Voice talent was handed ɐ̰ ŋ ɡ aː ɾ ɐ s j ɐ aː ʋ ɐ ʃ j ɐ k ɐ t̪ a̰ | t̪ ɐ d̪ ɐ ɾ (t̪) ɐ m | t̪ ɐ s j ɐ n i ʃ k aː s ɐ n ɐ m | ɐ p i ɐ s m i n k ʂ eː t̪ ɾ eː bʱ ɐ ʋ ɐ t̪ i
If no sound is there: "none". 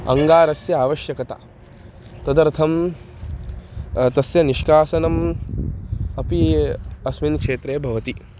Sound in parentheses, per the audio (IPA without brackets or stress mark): t̪ʰ